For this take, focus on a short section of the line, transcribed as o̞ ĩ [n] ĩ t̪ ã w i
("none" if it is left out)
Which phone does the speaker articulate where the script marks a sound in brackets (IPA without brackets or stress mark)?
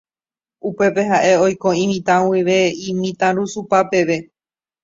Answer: m